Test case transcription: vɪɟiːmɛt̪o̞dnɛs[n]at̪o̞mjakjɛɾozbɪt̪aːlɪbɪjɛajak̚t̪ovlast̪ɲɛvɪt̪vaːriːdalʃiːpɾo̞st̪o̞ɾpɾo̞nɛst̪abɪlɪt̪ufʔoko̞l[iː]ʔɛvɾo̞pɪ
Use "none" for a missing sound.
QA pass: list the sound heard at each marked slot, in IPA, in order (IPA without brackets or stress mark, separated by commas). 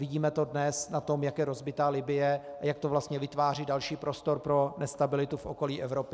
n, iː